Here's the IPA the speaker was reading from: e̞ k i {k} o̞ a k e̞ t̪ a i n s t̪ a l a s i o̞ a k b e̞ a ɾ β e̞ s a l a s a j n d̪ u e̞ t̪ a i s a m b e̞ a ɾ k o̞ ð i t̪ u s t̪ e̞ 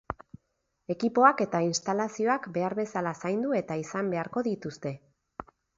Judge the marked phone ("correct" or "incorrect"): incorrect